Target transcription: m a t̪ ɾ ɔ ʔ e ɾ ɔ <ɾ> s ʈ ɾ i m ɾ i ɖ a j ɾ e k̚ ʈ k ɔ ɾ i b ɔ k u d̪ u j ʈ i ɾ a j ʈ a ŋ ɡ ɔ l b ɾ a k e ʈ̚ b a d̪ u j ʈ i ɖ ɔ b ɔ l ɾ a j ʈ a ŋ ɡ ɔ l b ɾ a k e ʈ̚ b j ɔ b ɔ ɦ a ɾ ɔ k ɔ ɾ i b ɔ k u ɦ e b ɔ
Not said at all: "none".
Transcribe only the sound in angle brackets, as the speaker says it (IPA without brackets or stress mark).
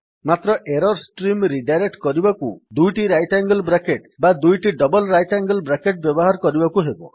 ɾ